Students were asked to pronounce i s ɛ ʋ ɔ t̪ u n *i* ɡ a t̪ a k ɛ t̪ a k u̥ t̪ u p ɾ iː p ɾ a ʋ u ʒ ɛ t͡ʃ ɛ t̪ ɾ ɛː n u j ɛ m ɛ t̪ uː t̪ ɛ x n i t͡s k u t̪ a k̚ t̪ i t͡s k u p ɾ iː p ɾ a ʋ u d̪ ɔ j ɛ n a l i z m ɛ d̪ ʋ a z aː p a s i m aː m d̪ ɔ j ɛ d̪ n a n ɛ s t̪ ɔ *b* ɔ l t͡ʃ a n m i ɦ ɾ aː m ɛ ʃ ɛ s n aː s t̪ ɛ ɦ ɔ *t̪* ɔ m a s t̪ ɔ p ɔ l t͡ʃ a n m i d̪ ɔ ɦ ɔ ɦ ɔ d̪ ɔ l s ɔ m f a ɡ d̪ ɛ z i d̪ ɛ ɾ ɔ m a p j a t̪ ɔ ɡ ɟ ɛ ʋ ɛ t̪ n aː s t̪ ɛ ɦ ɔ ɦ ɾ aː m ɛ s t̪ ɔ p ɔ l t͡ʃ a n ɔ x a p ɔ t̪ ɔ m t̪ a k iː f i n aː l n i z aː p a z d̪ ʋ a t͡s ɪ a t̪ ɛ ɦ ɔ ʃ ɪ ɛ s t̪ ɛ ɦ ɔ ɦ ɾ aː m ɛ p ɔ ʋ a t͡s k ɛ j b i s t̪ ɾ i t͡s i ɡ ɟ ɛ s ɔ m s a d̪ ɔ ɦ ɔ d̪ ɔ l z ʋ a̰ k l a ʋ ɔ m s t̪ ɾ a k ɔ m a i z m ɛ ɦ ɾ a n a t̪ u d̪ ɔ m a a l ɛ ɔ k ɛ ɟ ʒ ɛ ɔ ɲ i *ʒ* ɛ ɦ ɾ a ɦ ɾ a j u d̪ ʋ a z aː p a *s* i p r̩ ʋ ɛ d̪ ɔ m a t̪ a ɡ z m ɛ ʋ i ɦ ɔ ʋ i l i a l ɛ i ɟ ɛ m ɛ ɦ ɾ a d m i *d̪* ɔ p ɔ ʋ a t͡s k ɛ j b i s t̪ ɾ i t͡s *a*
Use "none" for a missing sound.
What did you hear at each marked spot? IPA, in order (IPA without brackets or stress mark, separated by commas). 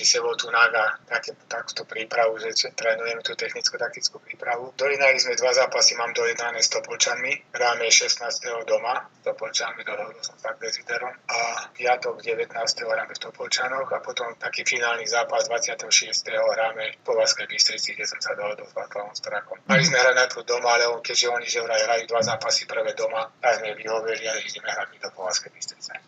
a, p, d̪, ʒ, s, d̪, ɛ